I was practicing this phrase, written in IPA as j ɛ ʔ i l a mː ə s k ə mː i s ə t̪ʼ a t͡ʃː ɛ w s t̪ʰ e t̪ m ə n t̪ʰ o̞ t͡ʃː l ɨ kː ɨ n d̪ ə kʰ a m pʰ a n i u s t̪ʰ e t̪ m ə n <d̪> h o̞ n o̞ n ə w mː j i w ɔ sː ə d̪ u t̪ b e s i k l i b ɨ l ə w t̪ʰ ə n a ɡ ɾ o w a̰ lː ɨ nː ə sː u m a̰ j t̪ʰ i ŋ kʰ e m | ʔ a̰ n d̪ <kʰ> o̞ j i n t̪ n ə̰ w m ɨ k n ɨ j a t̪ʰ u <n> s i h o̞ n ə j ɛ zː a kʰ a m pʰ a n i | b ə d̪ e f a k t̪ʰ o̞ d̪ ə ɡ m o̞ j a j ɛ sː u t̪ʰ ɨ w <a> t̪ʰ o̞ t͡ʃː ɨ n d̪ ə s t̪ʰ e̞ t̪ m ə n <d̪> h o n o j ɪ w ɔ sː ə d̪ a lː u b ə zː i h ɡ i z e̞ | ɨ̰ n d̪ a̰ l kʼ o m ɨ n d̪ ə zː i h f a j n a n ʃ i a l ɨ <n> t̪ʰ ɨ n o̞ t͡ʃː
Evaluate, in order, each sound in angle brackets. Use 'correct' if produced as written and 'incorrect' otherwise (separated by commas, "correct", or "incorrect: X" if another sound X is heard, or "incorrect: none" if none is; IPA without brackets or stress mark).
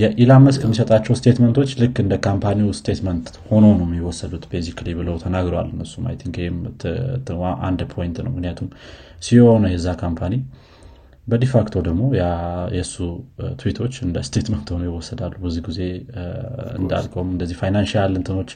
incorrect: t̪, incorrect: pʰ, incorrect: m, incorrect: i, incorrect: t̪, correct